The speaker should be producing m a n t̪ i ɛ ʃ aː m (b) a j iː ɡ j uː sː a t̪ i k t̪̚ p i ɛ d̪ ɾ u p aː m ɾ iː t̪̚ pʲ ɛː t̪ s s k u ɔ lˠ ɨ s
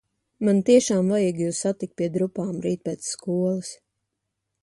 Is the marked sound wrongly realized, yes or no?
yes